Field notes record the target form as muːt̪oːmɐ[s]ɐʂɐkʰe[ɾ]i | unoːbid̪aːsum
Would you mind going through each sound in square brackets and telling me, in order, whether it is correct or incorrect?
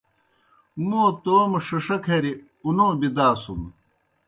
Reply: incorrect, correct

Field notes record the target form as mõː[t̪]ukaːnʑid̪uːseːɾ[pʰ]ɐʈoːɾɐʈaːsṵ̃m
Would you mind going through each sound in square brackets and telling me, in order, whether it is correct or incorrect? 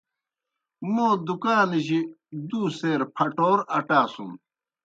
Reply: incorrect, correct

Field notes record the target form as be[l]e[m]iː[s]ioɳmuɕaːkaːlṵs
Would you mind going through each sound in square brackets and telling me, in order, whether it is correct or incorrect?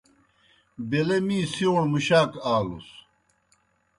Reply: correct, correct, correct

